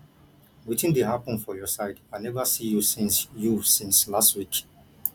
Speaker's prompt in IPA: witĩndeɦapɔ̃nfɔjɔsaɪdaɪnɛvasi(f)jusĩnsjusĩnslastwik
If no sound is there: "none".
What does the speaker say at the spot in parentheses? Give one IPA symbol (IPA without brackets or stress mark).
none